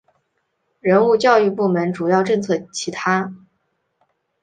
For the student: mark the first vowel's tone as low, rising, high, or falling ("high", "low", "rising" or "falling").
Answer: rising